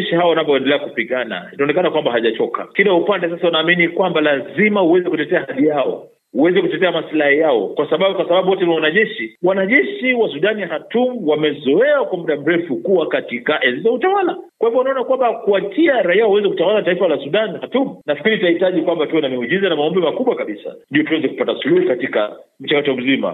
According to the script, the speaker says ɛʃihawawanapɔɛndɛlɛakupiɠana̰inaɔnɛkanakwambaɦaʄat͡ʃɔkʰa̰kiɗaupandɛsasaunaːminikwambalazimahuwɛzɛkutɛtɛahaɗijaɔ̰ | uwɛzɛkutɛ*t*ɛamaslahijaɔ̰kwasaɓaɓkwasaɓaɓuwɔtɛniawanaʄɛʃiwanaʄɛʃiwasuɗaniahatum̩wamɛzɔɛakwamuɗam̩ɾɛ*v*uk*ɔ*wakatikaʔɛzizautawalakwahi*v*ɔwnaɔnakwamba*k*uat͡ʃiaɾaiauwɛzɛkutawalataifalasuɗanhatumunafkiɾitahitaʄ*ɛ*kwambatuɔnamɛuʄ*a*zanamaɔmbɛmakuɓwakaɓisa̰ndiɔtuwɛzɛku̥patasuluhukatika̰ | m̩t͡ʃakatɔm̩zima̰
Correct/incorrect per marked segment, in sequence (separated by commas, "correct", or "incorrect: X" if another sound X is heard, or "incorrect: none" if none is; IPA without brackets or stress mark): correct, incorrect: f, incorrect: u, correct, correct, incorrect: i, incorrect: i